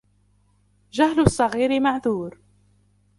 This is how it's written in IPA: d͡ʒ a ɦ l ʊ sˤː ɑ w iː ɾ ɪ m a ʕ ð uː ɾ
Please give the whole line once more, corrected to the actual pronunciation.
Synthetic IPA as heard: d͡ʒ a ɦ l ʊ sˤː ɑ ɣ iː ɾ ɪ m a ʕ ð uː ɾ